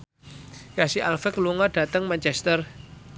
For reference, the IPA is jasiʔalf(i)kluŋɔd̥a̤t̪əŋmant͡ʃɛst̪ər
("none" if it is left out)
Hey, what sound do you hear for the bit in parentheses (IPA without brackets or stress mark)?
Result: ɛ